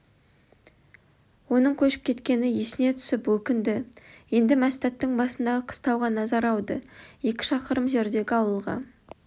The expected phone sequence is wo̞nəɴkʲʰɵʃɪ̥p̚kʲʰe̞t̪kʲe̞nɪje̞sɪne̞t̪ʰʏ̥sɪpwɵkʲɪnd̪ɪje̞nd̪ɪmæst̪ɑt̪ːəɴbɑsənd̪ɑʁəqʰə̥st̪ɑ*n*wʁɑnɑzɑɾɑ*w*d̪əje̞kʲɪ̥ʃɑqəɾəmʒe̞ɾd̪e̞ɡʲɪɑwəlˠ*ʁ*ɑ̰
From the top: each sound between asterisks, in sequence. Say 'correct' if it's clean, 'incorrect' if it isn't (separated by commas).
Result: incorrect, correct, correct